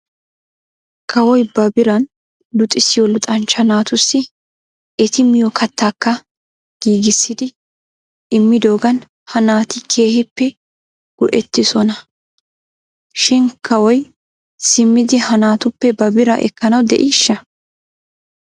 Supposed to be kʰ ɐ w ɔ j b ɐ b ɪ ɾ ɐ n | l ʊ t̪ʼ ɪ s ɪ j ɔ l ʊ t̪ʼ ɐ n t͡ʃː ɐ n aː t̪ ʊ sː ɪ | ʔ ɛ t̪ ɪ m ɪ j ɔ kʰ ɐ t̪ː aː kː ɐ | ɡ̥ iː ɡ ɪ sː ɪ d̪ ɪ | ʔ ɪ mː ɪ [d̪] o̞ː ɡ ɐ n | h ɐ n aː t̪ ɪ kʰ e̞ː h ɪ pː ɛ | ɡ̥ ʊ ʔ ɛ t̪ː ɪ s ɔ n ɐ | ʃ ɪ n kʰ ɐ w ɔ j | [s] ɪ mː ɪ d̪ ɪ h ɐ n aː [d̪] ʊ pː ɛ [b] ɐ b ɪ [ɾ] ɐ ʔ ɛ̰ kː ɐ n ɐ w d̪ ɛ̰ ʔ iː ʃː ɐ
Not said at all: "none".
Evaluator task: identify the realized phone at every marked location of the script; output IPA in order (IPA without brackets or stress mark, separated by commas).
d̪, s, t̪, b, ɾ